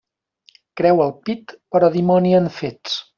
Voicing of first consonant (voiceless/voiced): voiceless